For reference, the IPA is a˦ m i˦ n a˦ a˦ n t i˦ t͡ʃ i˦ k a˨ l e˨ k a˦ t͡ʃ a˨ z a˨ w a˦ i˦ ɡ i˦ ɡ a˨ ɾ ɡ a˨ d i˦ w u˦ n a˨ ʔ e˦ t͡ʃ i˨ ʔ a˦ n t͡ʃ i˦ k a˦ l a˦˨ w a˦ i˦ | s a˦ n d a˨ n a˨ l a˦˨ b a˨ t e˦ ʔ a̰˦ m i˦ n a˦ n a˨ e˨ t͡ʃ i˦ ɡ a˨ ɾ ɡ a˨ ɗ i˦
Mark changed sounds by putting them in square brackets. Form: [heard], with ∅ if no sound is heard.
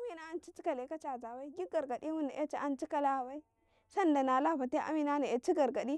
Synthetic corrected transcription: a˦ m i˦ n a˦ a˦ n [t͡ʃ] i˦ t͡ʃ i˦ k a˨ l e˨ k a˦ t͡ʃ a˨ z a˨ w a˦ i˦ ɡ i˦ ɡ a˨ ɾ ɡ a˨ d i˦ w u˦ n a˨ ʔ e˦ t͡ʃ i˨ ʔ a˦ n t͡ʃ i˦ k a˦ l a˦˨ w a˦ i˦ | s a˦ n d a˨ n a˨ l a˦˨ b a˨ t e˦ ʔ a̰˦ m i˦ n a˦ n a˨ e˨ t͡ʃ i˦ ɡ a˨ ɾ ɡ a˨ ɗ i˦